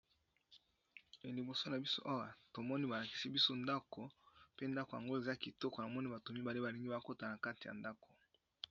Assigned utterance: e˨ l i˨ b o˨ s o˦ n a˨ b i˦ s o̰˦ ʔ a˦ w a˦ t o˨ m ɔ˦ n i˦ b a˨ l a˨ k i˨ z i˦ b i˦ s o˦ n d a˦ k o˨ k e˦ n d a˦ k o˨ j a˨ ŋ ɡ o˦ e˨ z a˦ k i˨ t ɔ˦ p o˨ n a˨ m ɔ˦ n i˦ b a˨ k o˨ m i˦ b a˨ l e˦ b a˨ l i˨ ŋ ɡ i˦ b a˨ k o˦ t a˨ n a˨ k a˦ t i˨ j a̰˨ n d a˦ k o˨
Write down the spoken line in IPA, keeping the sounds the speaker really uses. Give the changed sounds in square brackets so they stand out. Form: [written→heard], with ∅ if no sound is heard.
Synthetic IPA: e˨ l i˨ b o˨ s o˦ n a˨ b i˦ s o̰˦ ʔ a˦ w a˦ t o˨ m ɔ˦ n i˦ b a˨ l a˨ k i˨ [z→s] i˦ b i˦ s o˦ n d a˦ k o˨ [k→p] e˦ n d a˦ k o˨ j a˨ ŋ ɡ o˦ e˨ z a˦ k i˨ t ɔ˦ [p→k] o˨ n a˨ m ɔ˦ n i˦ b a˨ [k→t] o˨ m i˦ b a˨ l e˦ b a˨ l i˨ ŋ ɡ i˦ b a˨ k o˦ t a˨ n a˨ k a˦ t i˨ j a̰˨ n d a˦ k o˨